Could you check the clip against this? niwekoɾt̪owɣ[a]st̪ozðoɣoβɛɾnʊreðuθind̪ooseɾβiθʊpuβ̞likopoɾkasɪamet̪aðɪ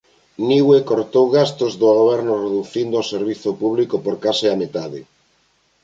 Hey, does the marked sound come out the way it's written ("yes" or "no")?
yes